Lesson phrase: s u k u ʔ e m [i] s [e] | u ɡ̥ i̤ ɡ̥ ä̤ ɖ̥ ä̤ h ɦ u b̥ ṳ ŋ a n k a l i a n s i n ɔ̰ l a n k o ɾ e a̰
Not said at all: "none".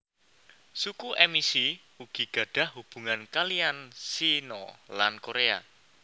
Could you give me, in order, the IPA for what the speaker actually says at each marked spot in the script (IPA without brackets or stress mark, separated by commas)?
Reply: i, i